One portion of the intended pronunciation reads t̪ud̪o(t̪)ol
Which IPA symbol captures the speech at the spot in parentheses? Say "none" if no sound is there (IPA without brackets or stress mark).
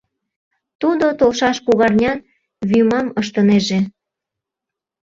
t̪